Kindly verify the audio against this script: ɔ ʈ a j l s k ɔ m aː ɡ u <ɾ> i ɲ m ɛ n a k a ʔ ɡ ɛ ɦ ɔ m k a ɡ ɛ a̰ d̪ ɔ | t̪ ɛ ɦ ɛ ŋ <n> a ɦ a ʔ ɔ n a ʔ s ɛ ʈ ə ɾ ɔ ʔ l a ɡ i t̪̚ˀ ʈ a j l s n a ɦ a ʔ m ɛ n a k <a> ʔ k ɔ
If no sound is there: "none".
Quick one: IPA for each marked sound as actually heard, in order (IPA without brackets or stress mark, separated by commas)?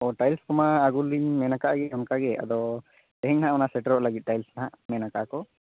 l, n, a